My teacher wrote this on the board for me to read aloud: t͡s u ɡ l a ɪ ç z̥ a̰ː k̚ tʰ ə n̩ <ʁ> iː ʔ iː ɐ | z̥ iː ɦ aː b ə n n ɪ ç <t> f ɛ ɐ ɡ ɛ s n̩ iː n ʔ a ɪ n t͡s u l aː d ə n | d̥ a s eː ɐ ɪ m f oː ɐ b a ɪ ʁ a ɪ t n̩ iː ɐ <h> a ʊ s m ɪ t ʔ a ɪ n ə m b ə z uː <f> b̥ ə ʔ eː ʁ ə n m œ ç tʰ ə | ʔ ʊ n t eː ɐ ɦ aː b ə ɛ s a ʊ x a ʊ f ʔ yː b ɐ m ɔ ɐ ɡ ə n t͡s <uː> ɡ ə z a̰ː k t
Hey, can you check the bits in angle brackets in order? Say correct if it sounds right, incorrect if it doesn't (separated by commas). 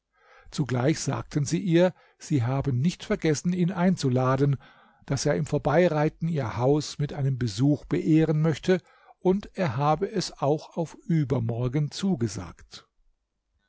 incorrect, correct, correct, incorrect, correct